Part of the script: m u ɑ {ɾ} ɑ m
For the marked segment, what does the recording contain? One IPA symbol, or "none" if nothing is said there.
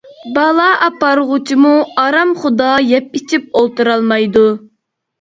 ɾ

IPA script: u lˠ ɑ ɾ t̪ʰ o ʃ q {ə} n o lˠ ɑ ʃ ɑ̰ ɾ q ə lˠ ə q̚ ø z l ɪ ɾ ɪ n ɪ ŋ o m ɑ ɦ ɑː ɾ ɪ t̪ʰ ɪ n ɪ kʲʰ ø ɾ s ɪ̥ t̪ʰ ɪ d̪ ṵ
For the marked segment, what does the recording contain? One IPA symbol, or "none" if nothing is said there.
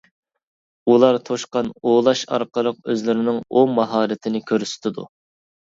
ɑ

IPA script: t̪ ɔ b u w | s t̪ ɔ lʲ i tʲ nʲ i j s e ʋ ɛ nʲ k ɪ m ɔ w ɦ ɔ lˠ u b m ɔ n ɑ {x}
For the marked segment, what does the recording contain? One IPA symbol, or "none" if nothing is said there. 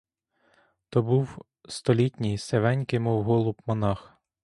x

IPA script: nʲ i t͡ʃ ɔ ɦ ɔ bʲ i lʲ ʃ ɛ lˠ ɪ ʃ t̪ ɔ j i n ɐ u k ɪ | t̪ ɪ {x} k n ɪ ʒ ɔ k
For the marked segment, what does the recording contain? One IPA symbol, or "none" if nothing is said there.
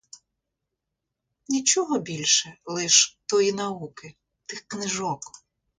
x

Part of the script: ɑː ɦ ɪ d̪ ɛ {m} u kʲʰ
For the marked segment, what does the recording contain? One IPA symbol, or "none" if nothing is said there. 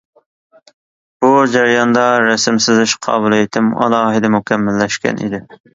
m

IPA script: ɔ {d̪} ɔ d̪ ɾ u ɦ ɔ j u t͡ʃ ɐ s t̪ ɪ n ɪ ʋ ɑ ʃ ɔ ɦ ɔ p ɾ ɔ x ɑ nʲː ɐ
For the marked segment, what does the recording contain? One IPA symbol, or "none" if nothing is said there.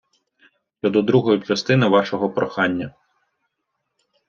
d̪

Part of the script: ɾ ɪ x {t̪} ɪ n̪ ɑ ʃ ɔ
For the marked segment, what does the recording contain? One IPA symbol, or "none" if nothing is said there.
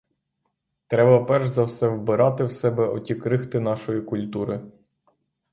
t̪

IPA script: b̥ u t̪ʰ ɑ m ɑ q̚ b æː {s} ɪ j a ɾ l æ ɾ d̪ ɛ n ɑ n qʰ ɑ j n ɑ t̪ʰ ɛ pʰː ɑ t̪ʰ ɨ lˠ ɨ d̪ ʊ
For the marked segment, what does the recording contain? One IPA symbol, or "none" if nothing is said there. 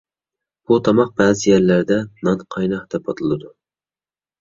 z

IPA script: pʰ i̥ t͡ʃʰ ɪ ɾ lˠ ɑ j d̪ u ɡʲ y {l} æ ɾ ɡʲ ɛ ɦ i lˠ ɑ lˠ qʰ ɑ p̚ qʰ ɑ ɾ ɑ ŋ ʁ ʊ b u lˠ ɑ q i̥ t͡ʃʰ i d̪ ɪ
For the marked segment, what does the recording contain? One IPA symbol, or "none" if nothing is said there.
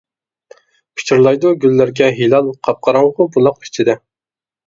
lː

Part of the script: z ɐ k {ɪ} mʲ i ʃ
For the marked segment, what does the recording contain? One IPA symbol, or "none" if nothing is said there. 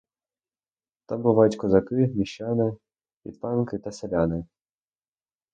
ɪ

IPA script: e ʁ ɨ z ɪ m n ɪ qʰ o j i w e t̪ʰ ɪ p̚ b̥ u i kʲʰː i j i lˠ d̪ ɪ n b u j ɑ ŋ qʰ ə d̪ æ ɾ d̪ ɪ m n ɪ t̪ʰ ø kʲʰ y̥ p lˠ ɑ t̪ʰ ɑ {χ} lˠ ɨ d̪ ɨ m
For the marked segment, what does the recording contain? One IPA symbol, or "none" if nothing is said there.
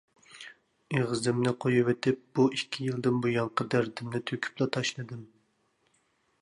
ʃ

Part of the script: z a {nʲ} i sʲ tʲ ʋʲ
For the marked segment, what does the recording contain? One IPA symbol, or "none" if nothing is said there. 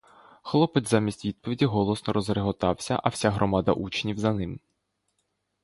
mʲ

